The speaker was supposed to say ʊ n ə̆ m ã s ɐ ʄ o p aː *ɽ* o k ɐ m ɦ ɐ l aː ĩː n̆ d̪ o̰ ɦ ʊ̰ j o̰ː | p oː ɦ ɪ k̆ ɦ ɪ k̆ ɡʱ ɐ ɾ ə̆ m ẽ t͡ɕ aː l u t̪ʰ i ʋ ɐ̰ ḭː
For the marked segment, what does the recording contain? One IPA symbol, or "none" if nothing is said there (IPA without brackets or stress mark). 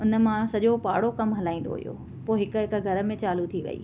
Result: ɽ